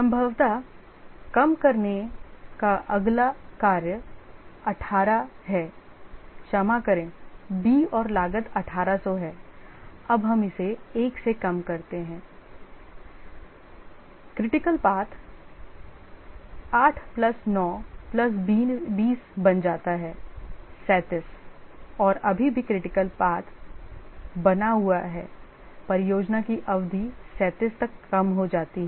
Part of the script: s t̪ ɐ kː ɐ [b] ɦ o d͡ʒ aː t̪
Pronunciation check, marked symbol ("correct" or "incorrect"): incorrect